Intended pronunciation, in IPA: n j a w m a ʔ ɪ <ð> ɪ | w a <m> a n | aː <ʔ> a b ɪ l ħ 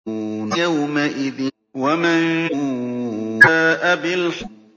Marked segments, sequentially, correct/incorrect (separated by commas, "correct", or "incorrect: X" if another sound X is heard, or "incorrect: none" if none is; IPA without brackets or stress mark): correct, correct, correct